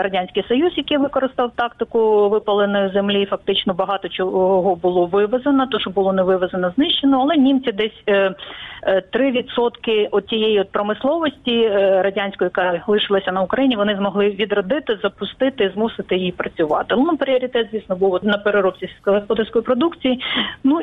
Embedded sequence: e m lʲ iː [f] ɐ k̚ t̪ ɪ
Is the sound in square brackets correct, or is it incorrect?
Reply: correct